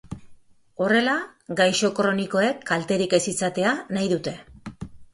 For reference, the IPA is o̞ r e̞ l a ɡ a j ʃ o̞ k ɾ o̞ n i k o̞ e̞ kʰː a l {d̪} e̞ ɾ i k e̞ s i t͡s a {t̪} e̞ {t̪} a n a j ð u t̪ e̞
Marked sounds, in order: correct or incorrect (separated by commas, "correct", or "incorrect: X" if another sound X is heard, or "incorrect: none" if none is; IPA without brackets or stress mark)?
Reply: incorrect: t̪, correct, incorrect: none